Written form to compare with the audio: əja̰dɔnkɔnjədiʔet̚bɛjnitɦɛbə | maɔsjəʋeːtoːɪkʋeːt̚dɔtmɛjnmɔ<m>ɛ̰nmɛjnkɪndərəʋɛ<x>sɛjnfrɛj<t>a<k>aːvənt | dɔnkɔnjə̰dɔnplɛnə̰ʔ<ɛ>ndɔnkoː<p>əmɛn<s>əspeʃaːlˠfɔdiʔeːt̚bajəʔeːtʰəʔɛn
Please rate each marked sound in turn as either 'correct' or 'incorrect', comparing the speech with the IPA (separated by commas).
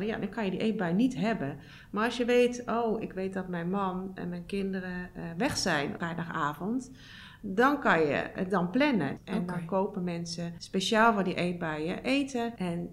incorrect, correct, incorrect, incorrect, correct, correct, correct